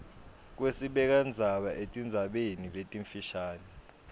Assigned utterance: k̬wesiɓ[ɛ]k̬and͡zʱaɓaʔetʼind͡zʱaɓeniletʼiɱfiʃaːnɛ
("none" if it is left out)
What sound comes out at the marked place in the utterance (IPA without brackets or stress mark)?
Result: ɛ